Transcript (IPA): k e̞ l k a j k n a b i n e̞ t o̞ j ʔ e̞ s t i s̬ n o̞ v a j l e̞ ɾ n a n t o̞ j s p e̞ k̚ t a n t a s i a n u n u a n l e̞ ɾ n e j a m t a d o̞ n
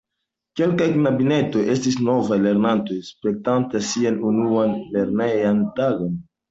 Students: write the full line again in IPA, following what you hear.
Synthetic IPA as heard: k e̞ l k a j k n a b i n e̞ t o̞ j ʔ e̞ s t i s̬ n o̞ v a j l e̞ ɾ n a n t o̞ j s p e̞ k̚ t a n t a s i a n u n u a n l e̞ ɾ n e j a n t a ɡ o̞ n